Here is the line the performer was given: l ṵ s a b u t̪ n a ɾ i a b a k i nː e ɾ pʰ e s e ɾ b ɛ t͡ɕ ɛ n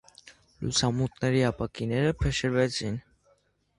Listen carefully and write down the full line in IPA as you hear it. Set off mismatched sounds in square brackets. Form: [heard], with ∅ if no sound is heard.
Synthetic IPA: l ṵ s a [m] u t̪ n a ɾ i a [p] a k i [n] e ɾ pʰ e [ʃ] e ɾ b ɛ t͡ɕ [i] n